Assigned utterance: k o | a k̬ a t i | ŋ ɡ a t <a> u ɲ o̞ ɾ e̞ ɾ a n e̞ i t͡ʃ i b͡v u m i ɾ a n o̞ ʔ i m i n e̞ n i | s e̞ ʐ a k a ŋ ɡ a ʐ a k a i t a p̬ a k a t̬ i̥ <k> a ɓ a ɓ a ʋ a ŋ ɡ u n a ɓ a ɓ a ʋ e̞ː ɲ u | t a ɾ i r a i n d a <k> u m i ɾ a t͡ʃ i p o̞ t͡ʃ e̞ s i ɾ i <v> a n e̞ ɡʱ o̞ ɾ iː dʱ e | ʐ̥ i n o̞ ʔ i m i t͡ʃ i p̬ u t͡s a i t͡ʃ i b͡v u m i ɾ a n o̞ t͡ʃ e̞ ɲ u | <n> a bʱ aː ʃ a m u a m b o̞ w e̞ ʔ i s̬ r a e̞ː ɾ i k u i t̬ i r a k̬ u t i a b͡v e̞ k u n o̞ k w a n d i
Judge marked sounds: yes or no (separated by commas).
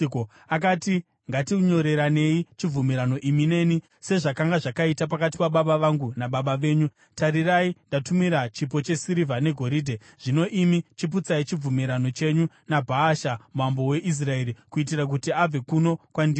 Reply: no, no, no, yes, yes